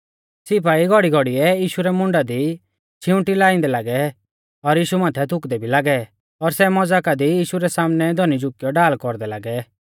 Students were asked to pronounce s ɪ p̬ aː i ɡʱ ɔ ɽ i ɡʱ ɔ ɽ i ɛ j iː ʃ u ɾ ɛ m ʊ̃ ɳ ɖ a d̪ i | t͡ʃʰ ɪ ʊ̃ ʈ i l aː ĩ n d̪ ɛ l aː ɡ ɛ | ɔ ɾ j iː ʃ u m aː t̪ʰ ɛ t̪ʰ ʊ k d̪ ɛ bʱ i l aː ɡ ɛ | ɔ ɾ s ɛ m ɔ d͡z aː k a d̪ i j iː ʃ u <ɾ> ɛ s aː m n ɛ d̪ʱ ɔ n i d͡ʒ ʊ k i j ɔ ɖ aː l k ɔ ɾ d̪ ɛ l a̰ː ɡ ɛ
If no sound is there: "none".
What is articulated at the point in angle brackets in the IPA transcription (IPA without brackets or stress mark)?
ɾ